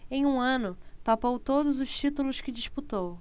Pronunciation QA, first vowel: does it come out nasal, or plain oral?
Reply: nasal